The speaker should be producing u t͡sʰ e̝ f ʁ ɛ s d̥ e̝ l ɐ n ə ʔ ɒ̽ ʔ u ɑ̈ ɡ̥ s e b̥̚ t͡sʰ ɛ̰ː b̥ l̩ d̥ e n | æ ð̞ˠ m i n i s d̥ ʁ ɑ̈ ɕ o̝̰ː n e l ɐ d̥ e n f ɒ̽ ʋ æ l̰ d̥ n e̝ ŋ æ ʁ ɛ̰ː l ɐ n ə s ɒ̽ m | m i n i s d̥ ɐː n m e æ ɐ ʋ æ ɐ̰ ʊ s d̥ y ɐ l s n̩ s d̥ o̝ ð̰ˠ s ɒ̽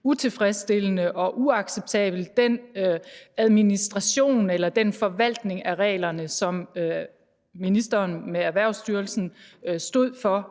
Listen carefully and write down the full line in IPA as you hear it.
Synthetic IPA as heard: u t͡sʰ e̝ f ʁ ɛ s d̥ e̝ l ə n ə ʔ ɒ̽ ʔ u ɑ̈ ɡ̥ s e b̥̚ t͡sʰ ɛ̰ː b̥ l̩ d̥ e n | æ ð̞ˠ m i n i s d̥ ʁ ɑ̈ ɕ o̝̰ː n e l ɐ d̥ e n f ɒ̽ ʋ æ l̰ d̥ n e̝ ŋ æ ʁ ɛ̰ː l ɐ n ə s ɒ̽ m | m i n i s d̥ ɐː n m e æ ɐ ʋ æ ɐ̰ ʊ s d̥ y ɐ l s n̩ s d̥ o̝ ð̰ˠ f ɒ̽